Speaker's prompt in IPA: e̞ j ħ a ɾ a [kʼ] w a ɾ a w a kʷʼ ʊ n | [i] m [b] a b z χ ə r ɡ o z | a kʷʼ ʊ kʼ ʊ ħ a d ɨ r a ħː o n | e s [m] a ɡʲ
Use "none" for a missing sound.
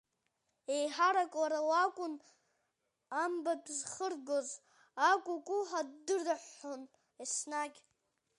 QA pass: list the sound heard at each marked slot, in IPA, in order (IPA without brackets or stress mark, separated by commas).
kʼ, a, b, n